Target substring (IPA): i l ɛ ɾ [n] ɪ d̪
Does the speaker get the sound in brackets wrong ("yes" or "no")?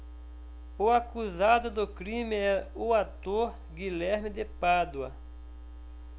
yes